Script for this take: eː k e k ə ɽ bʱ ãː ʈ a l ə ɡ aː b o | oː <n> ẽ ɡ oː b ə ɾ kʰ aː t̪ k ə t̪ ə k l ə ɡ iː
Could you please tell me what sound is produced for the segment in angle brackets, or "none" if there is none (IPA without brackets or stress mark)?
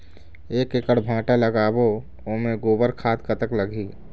m